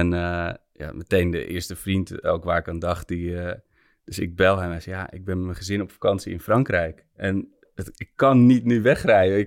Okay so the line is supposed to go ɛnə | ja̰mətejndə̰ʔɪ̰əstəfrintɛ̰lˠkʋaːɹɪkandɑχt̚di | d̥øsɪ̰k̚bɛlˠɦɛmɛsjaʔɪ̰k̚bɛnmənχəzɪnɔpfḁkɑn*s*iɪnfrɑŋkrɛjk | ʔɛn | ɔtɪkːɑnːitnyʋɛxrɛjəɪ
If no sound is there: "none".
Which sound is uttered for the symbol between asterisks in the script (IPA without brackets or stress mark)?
s